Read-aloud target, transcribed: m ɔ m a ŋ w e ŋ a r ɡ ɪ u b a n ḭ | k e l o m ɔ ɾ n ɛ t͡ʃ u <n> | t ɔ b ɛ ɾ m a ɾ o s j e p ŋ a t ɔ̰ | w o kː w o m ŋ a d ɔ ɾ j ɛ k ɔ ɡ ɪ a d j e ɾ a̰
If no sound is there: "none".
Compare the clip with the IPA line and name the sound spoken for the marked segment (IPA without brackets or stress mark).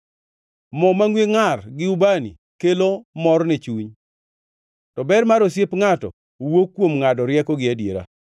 ɲ